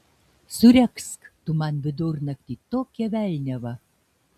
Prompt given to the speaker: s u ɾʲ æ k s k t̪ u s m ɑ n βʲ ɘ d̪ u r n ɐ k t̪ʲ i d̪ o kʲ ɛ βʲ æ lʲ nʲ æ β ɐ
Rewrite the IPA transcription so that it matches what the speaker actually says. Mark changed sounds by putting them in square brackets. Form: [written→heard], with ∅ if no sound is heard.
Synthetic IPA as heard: s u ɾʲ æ k s k t̪ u [s→∅] m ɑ n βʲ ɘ d̪ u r n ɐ k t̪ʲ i [d̪→t̪] o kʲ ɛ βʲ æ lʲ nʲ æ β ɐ